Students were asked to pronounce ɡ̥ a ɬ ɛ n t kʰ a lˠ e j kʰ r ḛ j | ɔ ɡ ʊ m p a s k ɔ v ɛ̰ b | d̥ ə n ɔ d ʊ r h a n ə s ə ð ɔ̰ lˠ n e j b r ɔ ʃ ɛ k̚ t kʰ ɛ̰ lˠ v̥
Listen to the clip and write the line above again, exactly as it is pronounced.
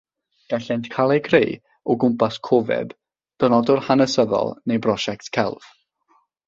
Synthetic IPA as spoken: ɡ̥ a ɬ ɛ n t kʰ a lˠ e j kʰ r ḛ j | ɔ ɡ ʊ m p a s kʰ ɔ v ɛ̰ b | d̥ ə n ɔ d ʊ r h a n ə s ə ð ɔ̰ lˠ n e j b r ɔ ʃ ɛ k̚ t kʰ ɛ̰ lˠ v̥